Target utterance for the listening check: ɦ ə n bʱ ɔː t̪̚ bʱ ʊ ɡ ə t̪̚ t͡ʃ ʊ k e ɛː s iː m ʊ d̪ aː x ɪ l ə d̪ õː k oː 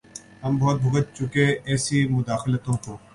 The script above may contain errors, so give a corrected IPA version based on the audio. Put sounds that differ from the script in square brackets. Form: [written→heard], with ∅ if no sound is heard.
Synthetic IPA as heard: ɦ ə [n→m] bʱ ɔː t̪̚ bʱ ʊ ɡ ə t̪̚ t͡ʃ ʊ k e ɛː s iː m ʊ d̪ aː x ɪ l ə [d̪→t̪] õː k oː